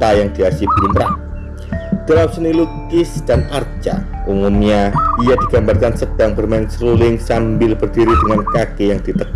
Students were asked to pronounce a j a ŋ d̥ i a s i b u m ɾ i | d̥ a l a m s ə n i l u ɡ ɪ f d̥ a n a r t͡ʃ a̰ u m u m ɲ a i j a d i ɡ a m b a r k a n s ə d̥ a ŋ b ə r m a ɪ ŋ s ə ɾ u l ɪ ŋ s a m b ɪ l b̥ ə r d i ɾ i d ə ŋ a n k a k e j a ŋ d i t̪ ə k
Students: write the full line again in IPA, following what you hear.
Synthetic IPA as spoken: a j a ŋ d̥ i a s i b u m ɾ a | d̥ a l a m s ə n i l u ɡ ɪ s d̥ a n a r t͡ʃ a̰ u m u m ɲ a i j a d i ɡ a m b a r k a n s ə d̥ a ŋ b ə r m a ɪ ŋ s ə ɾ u l ɪ ŋ s a m b ɪ l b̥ ə r d i ɾ i d ə ŋ a n k a k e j a ŋ d i t̪ ə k